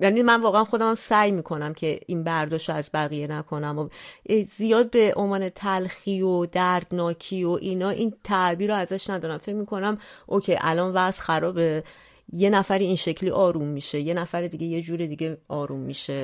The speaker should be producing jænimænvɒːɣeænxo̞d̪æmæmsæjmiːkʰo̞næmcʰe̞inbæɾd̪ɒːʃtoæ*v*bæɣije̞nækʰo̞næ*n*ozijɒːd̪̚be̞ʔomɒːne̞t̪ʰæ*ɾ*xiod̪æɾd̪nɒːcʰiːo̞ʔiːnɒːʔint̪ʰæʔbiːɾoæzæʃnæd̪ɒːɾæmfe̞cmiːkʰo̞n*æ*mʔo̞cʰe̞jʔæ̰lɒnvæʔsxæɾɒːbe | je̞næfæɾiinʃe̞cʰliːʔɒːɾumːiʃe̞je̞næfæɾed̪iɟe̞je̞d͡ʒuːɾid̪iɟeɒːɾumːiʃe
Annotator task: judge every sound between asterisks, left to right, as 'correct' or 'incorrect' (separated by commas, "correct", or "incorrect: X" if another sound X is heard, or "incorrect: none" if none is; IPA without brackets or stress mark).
incorrect: z, incorrect: m, incorrect: l, correct